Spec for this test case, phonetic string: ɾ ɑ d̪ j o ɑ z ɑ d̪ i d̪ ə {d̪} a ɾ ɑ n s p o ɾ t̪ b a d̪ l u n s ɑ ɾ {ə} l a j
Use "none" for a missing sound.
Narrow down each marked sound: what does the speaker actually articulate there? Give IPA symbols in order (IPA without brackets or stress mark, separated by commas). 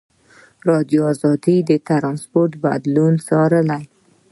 t̪, ə